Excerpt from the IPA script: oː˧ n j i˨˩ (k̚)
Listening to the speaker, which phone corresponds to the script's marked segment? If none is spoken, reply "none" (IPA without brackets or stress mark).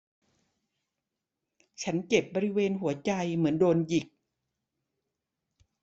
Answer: k̚